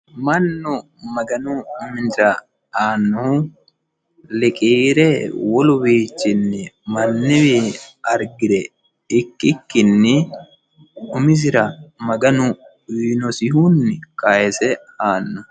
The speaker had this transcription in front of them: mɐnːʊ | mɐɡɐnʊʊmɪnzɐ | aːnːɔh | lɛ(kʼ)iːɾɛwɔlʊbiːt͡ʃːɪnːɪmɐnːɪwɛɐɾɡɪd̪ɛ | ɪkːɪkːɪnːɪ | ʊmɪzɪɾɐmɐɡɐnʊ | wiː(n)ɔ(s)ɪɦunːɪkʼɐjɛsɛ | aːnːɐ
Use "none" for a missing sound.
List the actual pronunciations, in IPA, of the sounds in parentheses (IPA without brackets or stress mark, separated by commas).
kʼ, n, s